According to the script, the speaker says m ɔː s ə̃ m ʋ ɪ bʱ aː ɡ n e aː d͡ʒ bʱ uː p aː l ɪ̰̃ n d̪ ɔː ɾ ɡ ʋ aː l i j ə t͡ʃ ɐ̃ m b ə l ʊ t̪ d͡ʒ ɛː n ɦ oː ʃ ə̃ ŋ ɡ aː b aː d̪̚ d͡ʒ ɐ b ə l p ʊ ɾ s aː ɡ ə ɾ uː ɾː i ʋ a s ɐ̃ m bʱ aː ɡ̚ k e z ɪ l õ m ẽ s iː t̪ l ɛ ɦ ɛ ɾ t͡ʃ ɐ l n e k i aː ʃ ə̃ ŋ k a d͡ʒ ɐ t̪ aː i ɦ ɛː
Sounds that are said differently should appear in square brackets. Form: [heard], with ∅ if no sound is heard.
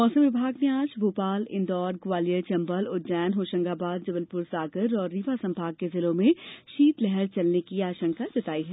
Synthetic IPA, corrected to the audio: m ɔː s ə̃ m ʋ ɪ bʱ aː ɡ n e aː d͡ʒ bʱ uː p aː l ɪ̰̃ n d̪ ɔː ɾ ɡ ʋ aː l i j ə t͡ʃ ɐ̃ m b ə l ʊ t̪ d͡ʒ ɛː n ɦ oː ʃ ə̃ ŋ ɡ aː b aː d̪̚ d͡ʒ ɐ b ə l p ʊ ɾ s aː ɡ ə ɾ [ɔː] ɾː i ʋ a s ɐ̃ m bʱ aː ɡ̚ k e z ɪ l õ m ẽ [ʃ] iː t̪ l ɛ ɦ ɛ ɾ t͡ʃ ɐ l n e k i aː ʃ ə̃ ŋ k a d͡ʒ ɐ t̪ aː i ɦ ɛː